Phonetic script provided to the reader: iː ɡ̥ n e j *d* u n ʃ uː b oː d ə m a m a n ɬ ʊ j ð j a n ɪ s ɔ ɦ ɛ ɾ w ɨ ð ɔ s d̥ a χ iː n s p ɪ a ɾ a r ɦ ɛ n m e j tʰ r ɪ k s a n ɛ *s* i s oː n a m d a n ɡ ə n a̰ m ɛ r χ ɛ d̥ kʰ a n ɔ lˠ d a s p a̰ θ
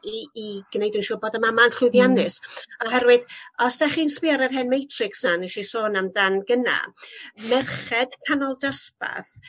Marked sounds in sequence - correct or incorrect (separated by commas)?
correct, incorrect